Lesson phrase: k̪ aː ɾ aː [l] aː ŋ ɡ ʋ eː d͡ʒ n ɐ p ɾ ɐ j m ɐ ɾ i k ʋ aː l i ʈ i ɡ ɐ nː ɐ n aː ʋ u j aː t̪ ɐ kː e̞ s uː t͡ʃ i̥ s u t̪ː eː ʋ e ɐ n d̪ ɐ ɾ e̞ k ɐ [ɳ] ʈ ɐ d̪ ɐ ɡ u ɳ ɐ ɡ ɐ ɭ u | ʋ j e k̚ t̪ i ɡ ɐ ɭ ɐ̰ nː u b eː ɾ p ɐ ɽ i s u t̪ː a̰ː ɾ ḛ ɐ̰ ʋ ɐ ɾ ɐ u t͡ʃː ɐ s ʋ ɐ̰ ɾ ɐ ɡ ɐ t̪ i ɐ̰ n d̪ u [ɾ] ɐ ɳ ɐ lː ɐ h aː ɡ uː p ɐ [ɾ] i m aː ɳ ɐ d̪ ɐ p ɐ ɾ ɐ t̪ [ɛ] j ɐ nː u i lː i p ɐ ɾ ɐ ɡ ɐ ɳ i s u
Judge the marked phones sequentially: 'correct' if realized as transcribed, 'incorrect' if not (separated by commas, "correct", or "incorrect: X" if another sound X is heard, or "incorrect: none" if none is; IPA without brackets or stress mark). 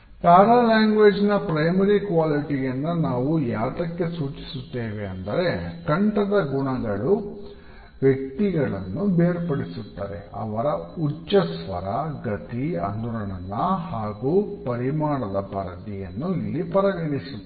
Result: correct, correct, correct, correct, incorrect: i